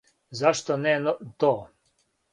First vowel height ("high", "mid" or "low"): low